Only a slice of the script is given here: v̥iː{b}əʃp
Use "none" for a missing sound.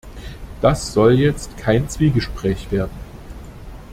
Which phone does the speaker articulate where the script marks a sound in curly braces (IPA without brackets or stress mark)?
ɡ